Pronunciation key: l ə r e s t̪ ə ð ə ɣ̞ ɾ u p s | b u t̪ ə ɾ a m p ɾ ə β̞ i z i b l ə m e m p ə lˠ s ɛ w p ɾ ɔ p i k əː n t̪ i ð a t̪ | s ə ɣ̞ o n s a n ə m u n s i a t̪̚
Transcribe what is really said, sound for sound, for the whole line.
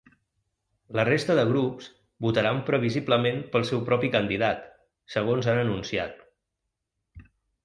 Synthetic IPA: l ə r e s t̪ ə ð ə ɣ̞ ɾ u p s | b u t̪ ə ɾ a m p ɾ ə β̞ i z i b l ə m e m p ə lˠ s ɛ w p ɾ ɔ p i k ə n d̪ i ð a t̪ | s ə ɣ̞ o n z a n ə n u n s i a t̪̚